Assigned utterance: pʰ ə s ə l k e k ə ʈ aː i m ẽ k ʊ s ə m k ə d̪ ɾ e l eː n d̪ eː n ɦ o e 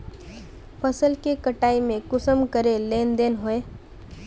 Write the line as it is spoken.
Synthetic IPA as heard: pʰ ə s ə l k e k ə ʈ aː i m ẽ k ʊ s ə m k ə ɾ e l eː n d̪ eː n ɦ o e

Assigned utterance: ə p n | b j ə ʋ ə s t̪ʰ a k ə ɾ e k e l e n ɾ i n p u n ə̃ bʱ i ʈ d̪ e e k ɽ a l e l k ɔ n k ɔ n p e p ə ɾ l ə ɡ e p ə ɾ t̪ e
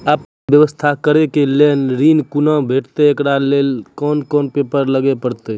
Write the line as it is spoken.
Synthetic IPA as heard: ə p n | b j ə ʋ ə s t̪ʰ a k ə ɾ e k e l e n ɾ i n k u n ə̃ bʱ e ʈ t̪ e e k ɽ a l e l k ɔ n k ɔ n p e p ə ɾ l ə ɡ e p ə ɾ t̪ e

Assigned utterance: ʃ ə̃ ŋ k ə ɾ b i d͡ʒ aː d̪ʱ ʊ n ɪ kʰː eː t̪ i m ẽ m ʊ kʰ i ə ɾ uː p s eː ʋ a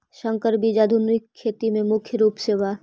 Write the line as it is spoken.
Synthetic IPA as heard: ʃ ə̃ ŋ k ə ɾ b i d͡ʒ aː d̪ʱ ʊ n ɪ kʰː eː t̪ i m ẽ m ʊ kʰ j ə ɾ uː p s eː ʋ a

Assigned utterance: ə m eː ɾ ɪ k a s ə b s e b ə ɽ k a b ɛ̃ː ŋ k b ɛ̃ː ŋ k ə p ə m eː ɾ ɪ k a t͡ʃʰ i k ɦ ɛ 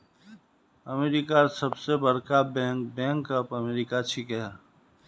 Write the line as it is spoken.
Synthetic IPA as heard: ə m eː ɾ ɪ k a s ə b s e b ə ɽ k a b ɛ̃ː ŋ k b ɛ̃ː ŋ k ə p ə m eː ɾ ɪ k a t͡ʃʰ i k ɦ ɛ

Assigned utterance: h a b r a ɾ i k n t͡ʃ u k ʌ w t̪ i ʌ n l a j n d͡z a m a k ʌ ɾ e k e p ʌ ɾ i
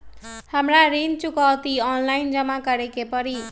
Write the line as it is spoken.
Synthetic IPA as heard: h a m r a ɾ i n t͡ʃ u k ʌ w t̪ i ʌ n l a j n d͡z ʌ m a k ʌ ɾ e k e p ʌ ɾ i

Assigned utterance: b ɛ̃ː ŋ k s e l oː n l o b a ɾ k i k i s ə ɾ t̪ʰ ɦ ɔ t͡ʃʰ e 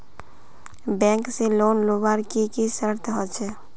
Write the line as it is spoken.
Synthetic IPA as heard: b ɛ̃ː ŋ k s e l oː n l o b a ɾ k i k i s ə ɾ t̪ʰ ɦ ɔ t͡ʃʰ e

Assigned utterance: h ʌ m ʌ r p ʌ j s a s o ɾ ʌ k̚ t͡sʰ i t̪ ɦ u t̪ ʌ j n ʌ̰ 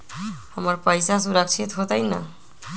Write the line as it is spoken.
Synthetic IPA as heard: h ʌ m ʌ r p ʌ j s a s u ɾ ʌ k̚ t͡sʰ i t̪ ɦ o t̪ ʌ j n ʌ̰

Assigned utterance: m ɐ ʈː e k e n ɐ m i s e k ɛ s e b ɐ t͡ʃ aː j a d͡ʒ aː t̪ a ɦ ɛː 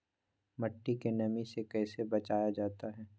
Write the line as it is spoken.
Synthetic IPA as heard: m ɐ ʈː i k e n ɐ m i s e k ɛː s e b ɐ t͡ʃ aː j a d͡ʒ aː t̪ a ɦ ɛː

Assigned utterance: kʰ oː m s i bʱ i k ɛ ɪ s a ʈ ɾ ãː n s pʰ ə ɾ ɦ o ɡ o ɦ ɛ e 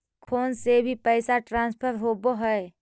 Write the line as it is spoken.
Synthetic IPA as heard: kʰ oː n s e bʱ i p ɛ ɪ s a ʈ ɾ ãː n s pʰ ə ɾ ɦ o b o ɦ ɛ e

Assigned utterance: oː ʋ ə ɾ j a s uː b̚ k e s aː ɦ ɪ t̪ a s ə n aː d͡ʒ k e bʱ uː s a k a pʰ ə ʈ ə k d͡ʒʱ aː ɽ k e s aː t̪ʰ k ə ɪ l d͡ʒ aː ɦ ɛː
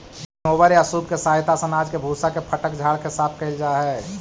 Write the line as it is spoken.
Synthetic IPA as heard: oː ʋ ə ɾ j a s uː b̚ k e s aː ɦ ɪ t̪ a s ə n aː d͡ʒ k e bʱ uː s a k e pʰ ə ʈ ə k d͡ʒʱ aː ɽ k e s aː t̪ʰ k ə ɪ l d͡ʒ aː ɦ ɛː

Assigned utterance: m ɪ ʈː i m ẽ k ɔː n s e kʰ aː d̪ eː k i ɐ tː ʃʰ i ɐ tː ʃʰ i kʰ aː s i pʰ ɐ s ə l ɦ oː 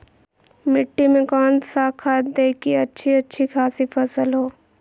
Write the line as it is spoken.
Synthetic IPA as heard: m ɪ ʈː i m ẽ k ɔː n s a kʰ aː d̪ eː k i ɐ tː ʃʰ i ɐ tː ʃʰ i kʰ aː s i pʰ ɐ s ə l ɦ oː

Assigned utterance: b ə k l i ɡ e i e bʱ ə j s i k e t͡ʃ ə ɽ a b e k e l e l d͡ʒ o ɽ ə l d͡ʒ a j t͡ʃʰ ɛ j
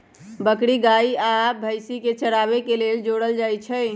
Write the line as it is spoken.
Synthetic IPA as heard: b ə k ɽ i ɡ a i a bʱ ə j s i k e t͡ʃ ə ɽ a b e k e l e l d͡ʒ o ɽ ə l d͡ʒ a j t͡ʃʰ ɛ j

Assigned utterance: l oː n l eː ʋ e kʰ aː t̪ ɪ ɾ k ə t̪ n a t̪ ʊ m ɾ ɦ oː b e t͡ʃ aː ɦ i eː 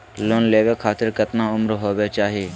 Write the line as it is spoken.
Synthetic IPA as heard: l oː n l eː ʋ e kʰ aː t̪ ɪ ɾ k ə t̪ n a ʊ m ɾ ɦ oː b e t͡ʃ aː ɦ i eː

